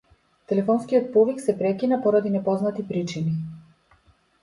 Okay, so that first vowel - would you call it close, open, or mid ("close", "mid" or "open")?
mid